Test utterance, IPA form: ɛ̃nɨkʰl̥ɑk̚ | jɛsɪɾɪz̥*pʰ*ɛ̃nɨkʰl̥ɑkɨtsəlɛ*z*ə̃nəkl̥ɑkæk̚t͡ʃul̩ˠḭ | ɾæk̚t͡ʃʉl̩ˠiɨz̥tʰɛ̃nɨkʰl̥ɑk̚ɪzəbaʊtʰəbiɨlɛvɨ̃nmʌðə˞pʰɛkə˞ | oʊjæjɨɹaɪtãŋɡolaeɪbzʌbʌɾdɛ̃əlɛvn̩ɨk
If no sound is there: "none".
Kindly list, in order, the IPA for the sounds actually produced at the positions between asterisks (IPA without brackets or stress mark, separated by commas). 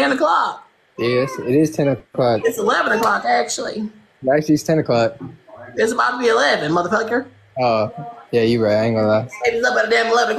tʰ, v